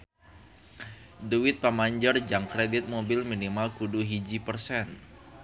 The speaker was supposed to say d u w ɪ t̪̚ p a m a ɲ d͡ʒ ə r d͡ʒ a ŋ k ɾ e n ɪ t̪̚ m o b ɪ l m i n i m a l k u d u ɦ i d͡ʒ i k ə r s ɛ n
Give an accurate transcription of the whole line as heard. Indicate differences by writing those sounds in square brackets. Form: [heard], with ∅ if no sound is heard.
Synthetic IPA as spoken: d u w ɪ t̪̚ p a m a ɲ d͡ʒ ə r d͡ʒ a ŋ k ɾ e [d] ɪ t̪̚ m o b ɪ l m i n i m a l k u d u ɦ i d͡ʒ i [p] ə r s ɛ n